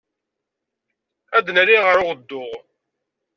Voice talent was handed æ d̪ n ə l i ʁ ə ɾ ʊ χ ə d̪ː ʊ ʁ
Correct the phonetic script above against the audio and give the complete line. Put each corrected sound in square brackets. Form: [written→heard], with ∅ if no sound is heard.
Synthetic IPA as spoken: æ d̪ n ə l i ʁ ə ɾ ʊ [χ→ʁ] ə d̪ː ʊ ʁ